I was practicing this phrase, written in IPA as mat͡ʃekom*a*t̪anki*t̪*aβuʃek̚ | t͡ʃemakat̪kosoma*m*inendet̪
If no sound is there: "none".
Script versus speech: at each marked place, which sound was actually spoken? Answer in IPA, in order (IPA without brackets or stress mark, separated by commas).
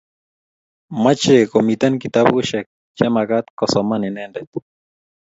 i, t̪, n